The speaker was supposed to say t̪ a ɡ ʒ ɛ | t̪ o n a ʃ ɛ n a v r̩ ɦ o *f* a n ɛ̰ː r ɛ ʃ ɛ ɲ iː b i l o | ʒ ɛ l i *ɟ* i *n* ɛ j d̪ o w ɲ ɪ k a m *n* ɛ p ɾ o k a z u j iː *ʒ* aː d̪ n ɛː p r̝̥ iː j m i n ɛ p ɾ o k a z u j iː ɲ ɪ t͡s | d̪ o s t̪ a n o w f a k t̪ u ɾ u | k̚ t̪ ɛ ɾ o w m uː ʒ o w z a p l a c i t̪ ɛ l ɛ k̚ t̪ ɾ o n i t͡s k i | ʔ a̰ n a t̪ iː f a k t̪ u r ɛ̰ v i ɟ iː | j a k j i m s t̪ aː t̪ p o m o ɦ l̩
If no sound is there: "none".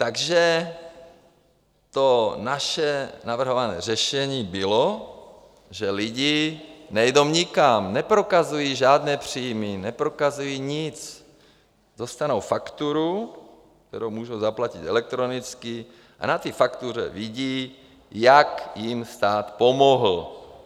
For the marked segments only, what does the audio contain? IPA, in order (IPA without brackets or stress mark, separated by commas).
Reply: v, ɟ, n, n, ʒ